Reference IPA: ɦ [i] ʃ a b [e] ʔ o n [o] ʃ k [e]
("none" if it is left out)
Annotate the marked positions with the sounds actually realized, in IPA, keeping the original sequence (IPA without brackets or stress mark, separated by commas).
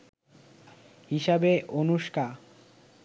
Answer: i, e, u, a